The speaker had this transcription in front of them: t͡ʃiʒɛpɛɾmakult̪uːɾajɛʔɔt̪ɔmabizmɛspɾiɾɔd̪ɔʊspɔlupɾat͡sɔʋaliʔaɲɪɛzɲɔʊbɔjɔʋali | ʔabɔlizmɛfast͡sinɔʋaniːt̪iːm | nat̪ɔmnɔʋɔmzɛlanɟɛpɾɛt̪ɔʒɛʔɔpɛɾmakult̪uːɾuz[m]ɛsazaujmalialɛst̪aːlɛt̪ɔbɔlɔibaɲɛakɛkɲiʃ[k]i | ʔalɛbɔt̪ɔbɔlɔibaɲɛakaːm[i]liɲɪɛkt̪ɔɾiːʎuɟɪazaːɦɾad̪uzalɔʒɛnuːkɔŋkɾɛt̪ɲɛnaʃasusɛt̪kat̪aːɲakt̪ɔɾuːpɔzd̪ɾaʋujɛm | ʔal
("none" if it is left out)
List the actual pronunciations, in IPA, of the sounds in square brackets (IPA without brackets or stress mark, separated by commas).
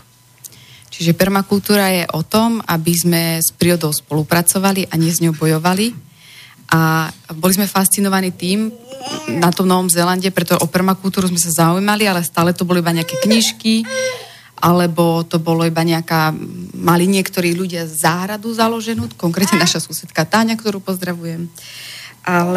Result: m, k, a